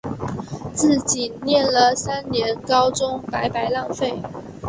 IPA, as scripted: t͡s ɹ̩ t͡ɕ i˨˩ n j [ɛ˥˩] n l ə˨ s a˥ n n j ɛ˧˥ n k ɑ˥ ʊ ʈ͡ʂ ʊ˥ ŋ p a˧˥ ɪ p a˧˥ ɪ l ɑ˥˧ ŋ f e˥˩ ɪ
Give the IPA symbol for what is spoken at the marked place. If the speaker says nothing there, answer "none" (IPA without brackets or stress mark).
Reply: ɛ˥˩